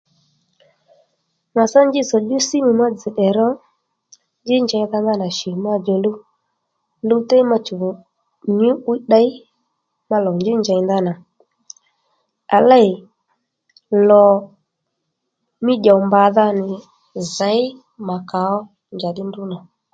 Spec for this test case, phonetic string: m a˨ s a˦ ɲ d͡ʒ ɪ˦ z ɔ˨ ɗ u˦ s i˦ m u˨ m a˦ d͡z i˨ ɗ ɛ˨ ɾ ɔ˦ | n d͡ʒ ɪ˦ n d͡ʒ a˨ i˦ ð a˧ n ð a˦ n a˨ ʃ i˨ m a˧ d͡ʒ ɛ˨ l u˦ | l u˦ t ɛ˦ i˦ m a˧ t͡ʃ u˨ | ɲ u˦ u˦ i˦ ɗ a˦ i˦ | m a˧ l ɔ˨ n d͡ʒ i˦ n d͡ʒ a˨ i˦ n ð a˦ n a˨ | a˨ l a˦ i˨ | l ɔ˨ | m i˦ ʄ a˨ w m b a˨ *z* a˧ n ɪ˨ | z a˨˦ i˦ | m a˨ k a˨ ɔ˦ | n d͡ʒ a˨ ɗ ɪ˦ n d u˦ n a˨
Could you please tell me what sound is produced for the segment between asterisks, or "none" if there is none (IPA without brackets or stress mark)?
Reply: ð